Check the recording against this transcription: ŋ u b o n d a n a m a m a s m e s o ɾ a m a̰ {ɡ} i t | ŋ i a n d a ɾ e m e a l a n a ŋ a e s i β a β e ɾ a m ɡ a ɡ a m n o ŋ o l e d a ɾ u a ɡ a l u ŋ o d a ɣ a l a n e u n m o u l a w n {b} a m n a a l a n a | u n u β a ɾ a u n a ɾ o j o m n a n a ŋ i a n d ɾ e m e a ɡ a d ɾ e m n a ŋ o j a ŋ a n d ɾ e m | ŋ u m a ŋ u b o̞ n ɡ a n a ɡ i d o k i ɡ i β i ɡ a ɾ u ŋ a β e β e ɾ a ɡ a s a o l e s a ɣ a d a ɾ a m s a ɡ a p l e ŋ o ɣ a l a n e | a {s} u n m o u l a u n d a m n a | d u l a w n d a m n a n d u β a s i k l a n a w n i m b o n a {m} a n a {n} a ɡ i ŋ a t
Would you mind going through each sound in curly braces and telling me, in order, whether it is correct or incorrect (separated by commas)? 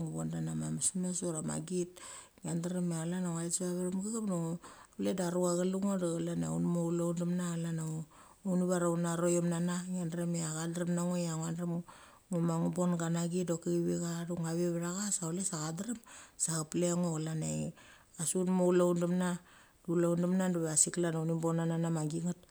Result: correct, incorrect, correct, incorrect, incorrect